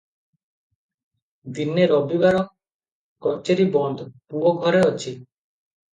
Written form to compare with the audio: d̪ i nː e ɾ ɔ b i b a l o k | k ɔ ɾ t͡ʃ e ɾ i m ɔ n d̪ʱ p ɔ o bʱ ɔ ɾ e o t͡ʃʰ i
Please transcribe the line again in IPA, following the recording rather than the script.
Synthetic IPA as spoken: d̪ i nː e ɾ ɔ b i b a ɾ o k | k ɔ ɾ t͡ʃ e ɾ i b ɔ n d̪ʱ p u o ɡʱ ɔ ɾ e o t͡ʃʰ i